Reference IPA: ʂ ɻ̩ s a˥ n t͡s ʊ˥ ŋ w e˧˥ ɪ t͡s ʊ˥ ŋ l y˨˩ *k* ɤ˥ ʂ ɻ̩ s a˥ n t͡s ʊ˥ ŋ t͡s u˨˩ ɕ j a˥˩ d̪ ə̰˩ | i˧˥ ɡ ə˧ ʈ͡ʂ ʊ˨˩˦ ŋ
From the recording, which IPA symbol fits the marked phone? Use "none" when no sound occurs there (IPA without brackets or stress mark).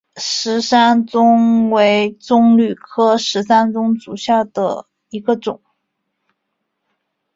kʰ